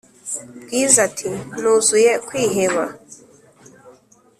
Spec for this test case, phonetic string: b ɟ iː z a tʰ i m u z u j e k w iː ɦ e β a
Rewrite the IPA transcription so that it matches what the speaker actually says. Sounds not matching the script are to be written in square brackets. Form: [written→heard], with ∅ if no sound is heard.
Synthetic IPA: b [ɟ→ɡ] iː z a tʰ i [m→n] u z u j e k w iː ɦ e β a